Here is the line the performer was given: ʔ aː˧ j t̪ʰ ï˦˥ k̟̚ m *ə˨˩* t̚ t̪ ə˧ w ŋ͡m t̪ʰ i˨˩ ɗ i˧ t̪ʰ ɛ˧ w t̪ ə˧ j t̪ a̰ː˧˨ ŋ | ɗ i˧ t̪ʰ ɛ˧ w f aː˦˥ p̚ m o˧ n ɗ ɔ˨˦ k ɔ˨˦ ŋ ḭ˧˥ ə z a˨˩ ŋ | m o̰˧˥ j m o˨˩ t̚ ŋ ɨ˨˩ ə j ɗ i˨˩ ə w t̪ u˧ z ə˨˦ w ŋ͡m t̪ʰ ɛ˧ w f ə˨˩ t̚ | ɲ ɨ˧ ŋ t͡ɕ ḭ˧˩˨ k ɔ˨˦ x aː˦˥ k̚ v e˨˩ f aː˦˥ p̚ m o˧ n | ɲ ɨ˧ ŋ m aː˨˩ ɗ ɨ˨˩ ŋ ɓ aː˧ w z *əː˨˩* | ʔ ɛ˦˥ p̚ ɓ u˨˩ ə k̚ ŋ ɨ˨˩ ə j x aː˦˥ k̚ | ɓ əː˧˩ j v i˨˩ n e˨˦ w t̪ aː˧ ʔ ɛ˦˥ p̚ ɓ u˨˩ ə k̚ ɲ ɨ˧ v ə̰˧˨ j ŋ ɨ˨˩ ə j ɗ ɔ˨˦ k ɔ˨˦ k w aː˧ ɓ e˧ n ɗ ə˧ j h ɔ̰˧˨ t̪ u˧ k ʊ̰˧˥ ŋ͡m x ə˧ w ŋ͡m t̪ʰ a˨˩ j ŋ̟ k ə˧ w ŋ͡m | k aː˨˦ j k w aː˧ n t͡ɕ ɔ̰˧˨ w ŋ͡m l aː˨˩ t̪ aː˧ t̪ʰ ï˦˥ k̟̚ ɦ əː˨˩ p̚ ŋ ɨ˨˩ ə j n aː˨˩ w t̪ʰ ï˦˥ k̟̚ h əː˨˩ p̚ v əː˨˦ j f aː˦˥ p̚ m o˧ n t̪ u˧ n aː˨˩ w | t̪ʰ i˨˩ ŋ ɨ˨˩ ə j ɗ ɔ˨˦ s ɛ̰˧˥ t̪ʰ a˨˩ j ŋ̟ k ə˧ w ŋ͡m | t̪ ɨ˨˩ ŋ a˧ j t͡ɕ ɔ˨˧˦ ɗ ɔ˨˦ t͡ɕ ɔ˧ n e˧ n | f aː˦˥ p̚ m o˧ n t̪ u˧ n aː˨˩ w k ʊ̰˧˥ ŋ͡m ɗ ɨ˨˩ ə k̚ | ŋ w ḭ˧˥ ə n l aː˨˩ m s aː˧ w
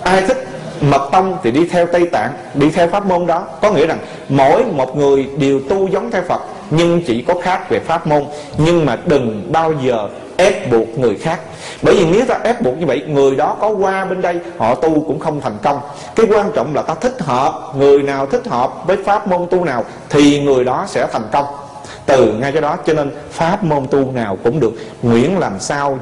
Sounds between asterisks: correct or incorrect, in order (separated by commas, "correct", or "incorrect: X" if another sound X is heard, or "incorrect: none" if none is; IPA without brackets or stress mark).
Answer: correct, correct